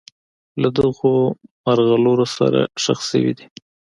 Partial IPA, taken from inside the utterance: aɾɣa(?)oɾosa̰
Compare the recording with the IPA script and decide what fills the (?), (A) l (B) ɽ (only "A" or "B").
A